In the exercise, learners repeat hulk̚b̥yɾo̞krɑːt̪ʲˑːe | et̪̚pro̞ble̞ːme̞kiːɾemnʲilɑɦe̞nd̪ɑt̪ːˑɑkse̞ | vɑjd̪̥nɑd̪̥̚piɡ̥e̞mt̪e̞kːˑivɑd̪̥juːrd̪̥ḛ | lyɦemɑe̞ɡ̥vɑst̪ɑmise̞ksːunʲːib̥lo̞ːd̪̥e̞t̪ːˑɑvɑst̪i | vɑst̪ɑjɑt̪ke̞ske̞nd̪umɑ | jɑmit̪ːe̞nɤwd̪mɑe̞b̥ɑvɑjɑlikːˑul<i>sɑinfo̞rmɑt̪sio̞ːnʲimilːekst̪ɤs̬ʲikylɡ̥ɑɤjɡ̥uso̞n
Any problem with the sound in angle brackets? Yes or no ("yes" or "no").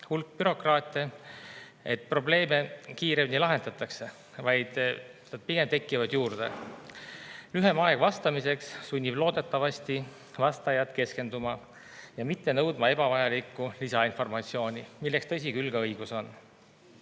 no